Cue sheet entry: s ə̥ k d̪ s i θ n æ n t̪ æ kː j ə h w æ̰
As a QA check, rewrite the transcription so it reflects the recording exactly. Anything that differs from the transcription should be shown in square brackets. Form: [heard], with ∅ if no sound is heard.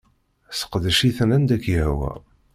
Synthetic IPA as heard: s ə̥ [q] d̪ [ʃ] i θ n æ n [d̪] æ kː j ə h w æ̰